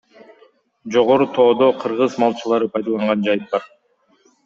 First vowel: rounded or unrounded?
rounded